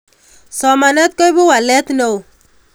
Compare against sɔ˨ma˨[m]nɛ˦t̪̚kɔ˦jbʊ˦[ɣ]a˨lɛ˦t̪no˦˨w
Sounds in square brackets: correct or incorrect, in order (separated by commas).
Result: incorrect, incorrect